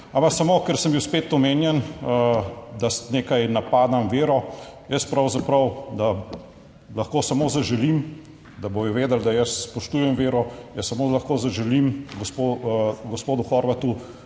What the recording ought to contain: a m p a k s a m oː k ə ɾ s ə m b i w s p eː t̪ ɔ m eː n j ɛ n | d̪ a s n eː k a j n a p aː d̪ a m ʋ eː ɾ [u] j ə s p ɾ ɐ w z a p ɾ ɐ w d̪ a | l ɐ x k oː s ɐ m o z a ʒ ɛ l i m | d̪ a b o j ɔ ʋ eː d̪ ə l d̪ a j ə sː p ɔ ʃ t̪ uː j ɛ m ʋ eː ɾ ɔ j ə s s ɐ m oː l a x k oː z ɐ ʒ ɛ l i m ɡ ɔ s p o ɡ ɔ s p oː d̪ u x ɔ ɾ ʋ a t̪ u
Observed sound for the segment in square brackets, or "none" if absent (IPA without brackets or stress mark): ɔ